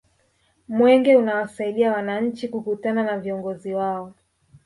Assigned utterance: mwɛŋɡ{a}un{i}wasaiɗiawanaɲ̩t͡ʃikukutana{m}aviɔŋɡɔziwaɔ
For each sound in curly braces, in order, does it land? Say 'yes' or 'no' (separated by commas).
no, no, no